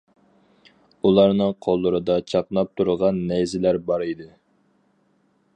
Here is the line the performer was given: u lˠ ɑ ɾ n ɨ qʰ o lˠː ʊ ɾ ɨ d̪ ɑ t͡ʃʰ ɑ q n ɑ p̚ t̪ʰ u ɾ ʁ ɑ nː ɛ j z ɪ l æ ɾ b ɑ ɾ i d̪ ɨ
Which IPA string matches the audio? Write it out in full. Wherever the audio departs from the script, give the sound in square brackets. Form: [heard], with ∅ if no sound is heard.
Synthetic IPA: u lˠ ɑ ɾ n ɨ qʰ o lˠː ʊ ɾ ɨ d̪ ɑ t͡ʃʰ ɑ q n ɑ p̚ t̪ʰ u ɾ ʁ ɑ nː ɛ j z ɪ l æ ɾ b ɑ ɾ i d̪ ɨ